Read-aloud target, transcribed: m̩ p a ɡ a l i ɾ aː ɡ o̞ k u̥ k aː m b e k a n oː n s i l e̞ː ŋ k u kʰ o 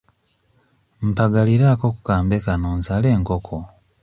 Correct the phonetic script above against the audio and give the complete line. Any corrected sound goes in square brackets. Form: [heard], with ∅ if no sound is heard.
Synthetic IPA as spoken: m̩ p a ɡ a l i ɾ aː [k] o̞ k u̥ k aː m b e k a n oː n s [a] l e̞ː ŋ k [o] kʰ o